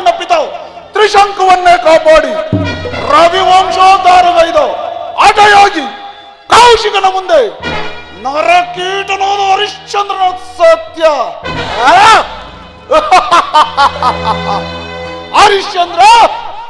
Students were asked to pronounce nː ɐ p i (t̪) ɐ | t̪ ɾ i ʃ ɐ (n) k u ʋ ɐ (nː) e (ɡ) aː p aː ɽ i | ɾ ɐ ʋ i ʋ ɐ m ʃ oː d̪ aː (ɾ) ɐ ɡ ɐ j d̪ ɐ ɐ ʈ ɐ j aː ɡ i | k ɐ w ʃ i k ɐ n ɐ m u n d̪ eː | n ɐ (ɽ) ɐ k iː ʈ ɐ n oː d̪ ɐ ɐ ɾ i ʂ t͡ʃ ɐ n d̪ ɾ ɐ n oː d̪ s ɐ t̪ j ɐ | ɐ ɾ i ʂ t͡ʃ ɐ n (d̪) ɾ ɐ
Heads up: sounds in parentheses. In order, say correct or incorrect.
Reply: correct, incorrect: ŋ, correct, incorrect: k, correct, incorrect: ɾ, correct

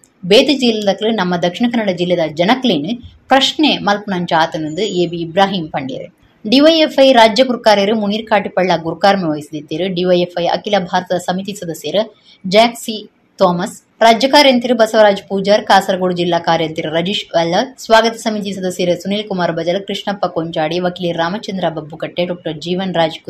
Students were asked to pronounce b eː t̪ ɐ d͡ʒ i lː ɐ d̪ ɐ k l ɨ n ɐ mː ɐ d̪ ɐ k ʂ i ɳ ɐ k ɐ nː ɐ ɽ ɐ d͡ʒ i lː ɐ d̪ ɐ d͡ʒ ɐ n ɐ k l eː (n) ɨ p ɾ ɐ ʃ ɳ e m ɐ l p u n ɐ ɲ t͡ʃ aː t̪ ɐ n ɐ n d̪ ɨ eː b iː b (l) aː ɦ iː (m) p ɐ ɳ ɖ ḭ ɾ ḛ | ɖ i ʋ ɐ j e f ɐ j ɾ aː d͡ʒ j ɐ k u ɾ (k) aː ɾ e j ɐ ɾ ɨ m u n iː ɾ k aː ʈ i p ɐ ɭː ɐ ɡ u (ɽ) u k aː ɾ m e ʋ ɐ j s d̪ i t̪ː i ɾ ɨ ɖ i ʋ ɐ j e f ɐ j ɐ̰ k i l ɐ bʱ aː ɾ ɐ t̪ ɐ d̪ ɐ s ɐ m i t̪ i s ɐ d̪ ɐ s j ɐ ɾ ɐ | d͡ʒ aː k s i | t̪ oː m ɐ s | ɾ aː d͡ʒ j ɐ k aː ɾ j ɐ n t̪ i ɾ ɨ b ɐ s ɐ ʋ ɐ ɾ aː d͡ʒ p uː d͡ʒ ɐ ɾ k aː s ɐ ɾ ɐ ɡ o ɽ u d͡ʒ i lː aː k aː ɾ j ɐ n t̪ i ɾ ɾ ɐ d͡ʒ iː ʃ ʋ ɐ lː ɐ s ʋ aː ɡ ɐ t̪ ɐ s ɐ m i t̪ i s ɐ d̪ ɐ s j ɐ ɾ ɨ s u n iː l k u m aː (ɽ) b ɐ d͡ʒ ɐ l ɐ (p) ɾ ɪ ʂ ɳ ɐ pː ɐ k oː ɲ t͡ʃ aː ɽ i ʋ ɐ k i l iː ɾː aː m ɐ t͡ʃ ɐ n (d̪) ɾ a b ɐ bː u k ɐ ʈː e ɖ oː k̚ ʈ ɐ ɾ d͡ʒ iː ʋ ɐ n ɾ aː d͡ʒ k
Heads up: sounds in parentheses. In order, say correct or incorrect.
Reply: correct, incorrect: ɾ, correct, correct, incorrect: ɾ, incorrect: ɾ, incorrect: k, correct

